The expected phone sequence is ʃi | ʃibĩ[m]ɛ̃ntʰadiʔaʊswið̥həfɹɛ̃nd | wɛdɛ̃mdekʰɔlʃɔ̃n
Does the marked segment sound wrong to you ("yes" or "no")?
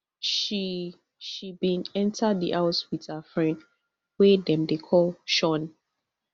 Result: yes